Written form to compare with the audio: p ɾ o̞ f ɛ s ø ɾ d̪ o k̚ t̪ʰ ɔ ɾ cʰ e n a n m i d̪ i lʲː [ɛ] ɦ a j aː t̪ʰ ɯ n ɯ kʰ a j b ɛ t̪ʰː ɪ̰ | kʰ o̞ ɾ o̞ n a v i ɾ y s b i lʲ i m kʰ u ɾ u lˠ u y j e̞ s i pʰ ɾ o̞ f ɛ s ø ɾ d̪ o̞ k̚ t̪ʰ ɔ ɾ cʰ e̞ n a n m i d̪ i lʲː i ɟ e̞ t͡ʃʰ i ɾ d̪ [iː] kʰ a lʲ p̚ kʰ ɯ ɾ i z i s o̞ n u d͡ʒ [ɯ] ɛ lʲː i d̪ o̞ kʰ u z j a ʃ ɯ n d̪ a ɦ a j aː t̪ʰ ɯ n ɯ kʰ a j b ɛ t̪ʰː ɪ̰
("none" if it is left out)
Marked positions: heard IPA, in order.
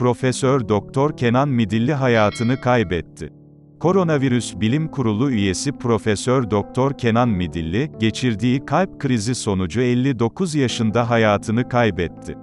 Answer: i, iː, u

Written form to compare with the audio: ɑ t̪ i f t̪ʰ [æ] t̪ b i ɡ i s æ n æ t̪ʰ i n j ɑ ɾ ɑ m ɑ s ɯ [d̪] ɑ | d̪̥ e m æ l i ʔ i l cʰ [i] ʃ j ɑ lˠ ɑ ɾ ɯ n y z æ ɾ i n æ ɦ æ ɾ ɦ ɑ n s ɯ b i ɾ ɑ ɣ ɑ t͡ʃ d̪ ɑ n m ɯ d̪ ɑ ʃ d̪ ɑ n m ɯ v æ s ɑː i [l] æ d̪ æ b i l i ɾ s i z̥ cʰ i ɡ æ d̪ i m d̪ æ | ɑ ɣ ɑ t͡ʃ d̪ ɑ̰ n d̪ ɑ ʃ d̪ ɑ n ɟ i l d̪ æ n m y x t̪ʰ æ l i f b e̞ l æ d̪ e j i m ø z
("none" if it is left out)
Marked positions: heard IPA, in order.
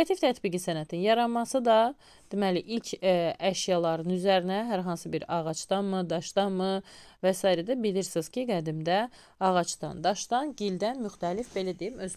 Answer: æ, d̪, æ, ɾ

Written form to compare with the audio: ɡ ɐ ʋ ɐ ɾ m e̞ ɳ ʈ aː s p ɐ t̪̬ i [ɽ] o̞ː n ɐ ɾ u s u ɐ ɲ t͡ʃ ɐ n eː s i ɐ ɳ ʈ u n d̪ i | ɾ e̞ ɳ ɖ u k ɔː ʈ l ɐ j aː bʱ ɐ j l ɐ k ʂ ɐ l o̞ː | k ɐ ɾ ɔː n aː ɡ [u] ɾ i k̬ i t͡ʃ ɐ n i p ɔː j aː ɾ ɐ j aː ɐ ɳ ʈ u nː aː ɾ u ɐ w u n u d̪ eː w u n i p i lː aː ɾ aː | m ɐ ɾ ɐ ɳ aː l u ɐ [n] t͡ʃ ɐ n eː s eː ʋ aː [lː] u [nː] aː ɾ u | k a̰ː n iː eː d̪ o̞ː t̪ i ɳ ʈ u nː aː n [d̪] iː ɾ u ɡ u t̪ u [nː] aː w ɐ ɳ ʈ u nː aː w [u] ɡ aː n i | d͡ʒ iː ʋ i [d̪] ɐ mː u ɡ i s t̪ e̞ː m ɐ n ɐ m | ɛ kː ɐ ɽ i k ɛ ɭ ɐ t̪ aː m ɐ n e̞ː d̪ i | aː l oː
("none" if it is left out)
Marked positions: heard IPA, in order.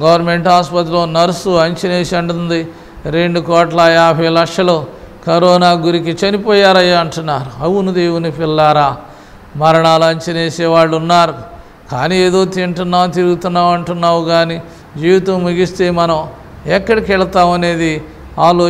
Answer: l, u, ɲ, ɭː, nː, t̪, nː, u, t̪

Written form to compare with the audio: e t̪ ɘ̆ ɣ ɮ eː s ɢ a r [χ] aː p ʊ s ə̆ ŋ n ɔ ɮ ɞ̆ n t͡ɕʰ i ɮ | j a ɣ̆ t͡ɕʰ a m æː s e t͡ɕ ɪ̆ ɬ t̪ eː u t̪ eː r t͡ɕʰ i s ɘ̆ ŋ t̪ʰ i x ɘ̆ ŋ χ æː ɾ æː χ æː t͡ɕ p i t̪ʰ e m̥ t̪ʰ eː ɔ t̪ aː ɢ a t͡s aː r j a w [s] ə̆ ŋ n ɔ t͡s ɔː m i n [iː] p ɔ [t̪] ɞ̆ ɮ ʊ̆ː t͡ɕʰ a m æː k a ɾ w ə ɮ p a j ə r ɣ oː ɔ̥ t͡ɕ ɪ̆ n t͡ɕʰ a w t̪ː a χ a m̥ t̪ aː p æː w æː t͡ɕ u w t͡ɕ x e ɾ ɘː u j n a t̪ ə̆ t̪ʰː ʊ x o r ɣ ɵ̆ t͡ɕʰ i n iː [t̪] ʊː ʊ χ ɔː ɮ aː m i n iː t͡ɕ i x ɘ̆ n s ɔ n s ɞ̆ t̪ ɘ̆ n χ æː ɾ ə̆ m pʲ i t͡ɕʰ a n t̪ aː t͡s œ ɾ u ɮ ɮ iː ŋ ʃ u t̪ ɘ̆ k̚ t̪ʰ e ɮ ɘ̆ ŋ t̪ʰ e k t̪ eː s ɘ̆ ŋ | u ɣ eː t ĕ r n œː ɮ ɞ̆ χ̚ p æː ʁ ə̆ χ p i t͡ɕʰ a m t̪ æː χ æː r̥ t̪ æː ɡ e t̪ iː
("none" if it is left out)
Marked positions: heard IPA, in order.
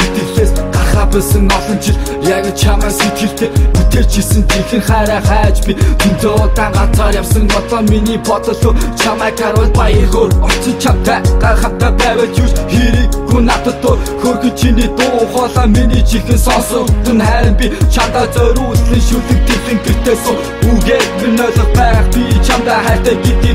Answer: χ, s, iː, t̪, t̪

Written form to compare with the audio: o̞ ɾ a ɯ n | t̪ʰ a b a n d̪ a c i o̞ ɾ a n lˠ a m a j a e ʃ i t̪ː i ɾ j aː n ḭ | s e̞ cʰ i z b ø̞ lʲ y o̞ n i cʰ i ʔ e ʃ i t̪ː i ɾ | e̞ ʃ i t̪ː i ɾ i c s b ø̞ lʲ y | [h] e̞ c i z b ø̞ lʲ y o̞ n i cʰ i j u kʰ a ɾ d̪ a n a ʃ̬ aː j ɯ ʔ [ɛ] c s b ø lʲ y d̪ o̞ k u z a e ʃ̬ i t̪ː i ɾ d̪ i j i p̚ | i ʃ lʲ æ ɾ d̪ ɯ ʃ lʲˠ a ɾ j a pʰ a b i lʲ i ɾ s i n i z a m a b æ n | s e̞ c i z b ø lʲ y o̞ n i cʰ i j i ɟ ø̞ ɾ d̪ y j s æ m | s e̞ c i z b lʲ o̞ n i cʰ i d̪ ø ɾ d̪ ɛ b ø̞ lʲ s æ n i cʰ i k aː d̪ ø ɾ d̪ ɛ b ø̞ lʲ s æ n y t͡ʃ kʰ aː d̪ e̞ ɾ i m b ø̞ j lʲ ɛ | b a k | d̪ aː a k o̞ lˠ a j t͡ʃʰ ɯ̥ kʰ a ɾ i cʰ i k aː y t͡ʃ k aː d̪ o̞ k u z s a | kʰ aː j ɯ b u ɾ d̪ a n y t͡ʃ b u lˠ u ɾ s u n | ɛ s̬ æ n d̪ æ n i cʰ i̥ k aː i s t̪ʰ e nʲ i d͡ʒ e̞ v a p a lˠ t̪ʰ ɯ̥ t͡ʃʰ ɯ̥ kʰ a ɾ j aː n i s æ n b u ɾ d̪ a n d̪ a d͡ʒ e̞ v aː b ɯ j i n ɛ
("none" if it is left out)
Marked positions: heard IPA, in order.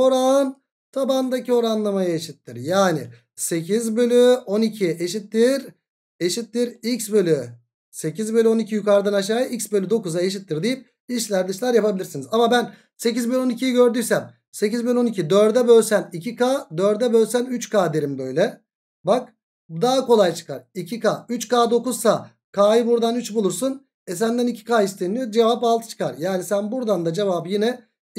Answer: s, i

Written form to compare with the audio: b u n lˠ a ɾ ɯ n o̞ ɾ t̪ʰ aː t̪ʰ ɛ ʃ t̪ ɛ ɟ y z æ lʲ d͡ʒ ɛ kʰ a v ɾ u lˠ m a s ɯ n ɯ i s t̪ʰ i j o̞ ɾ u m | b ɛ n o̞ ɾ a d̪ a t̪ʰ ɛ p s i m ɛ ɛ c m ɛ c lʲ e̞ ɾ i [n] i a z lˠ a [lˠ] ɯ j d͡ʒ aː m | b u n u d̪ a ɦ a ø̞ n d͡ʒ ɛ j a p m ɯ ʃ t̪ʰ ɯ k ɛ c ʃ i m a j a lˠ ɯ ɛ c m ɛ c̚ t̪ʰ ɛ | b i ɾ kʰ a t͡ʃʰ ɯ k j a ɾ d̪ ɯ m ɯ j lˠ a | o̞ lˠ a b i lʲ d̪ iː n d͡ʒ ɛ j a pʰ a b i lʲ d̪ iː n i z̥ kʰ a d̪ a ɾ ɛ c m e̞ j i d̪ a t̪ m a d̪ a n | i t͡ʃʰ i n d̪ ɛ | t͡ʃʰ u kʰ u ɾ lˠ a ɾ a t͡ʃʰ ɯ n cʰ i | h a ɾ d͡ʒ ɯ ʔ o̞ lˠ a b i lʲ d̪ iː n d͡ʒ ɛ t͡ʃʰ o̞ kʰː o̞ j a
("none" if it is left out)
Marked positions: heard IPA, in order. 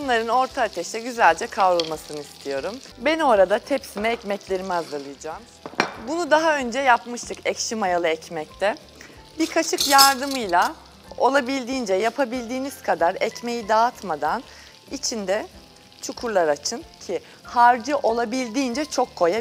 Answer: m, lˠ

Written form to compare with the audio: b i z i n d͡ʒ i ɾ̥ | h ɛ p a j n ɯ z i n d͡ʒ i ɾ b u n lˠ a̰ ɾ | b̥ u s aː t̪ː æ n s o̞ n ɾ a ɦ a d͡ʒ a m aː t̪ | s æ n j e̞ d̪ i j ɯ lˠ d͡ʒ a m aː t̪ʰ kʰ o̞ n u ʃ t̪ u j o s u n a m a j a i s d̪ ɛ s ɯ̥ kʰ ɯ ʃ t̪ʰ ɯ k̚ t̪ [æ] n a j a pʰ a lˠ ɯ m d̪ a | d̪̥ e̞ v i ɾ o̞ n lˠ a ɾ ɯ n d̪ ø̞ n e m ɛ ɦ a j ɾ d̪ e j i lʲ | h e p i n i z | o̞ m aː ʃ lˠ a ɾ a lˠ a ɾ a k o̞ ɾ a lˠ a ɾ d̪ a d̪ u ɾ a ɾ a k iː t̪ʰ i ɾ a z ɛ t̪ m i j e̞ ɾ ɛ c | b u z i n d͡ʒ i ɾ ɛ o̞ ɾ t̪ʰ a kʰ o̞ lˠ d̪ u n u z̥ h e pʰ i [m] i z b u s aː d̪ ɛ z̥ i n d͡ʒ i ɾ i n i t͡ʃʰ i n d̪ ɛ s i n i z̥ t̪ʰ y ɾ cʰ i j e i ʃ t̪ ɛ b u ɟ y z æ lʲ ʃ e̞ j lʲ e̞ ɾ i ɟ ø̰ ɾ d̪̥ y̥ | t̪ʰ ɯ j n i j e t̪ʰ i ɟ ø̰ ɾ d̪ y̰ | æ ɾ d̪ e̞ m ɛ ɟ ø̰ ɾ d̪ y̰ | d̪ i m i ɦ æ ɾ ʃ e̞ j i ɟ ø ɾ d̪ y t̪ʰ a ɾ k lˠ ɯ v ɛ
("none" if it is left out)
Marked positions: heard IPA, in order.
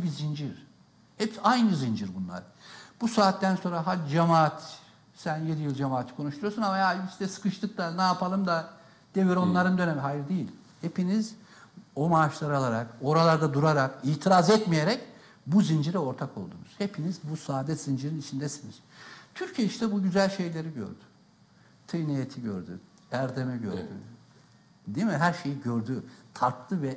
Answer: a, n

